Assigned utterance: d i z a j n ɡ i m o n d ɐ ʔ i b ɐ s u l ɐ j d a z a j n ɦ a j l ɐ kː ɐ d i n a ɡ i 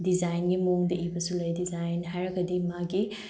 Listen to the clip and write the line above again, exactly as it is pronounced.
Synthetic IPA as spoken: d i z a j n ɡ i m o ŋ d ɐ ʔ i b ɐ s u l ɐ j d i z a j n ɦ a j ɾ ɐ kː ɐ d i m a ɡ i